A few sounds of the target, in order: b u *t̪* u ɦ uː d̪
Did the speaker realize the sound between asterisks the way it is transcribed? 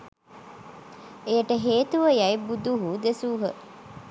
no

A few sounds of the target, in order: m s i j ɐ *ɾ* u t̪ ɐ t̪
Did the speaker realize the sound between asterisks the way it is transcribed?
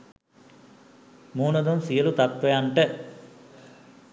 no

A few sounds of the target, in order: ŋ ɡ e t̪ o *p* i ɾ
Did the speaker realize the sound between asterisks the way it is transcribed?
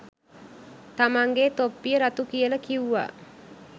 yes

